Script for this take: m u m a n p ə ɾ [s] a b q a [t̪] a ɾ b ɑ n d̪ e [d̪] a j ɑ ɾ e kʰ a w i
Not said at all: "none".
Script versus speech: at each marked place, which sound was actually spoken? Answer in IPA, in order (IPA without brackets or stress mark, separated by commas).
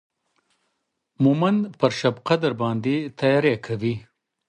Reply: ʃ, d̪, t̪